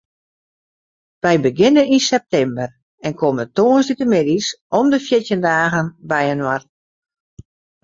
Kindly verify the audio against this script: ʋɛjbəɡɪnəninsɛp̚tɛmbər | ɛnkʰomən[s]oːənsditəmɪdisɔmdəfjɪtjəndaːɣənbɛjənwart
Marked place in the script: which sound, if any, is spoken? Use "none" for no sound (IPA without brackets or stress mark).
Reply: t